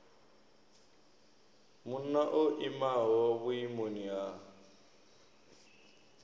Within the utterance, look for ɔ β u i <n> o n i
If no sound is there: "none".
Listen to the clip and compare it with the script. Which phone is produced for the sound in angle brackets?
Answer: m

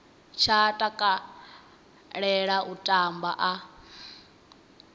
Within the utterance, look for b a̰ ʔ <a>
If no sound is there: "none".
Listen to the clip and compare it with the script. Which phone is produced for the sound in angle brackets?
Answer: a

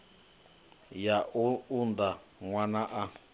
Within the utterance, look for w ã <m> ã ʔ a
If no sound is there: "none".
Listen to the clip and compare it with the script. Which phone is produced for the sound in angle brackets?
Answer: n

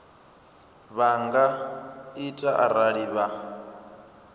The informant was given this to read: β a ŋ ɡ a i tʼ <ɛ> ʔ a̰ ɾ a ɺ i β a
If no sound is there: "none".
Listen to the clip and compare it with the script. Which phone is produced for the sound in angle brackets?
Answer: a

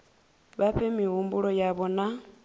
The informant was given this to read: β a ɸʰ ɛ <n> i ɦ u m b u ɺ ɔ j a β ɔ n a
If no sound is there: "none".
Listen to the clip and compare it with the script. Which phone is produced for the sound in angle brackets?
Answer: m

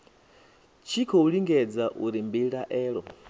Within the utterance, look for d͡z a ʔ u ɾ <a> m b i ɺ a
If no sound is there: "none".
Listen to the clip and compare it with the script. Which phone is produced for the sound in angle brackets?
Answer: i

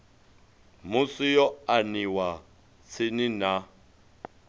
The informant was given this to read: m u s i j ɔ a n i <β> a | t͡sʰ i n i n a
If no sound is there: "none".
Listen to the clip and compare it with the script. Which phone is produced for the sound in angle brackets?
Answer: w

